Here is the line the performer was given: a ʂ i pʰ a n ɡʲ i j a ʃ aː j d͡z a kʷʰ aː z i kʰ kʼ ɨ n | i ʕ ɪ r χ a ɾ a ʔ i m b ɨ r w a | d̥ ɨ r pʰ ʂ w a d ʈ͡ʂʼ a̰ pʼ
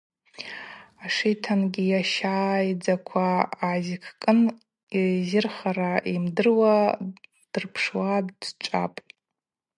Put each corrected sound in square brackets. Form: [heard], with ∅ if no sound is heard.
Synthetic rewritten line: a ʂ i [tʰ] a n ɡʲ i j a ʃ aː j d͡z a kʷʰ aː z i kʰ kʼ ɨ n | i [z] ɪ r χ a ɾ a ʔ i m [d] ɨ r w a | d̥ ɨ r pʰ ʂ w a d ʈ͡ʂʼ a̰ pʼ